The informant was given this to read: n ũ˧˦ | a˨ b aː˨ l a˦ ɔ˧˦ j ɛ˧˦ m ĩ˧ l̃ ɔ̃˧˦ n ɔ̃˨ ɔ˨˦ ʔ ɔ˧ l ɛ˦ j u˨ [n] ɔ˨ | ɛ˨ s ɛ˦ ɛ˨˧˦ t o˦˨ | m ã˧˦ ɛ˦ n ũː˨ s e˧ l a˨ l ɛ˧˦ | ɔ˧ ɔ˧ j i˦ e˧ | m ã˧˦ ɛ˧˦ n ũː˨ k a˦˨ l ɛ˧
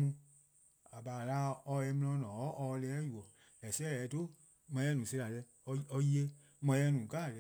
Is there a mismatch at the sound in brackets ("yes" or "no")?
yes